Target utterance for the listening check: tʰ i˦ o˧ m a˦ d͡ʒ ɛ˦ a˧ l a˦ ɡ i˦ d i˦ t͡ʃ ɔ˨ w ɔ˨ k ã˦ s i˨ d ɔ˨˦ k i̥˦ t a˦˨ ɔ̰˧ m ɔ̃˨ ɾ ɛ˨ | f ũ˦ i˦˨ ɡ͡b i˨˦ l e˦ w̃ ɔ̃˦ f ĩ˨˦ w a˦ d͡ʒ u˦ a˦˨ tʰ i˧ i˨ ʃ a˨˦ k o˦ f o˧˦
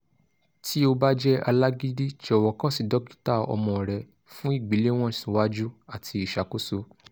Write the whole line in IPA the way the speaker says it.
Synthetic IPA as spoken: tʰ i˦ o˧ b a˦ d͡ʒ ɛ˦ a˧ l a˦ ɡ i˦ d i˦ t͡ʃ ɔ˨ w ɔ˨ k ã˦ s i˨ d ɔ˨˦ k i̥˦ t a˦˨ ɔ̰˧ m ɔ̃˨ ɾ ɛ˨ | f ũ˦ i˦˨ ɡ͡b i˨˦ l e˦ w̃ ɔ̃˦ s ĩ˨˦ w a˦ d͡ʒ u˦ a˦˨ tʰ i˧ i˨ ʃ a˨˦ k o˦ s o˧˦